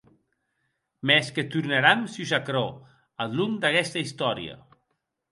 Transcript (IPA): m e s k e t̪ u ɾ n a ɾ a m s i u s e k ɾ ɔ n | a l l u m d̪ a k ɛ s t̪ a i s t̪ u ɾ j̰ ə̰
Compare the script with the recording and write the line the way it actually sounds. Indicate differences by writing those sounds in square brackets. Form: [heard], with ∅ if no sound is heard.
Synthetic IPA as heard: m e s k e t̪ u ɾ n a ɾ a m s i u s [a] k ɾ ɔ [∅] | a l l u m d̪ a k ɛ s t̪ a i s t̪ [ɔ] ɾ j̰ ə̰